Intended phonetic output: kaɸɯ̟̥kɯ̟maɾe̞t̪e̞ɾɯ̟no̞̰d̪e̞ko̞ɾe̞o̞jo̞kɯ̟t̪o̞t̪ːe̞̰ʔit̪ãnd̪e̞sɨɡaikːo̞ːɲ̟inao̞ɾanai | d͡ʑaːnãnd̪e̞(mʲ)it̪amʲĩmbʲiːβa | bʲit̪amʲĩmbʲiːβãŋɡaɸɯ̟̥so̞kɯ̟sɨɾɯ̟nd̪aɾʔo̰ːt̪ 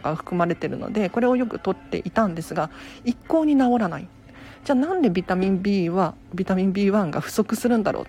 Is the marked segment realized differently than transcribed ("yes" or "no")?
yes